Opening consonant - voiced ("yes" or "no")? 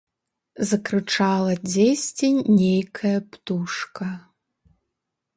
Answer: yes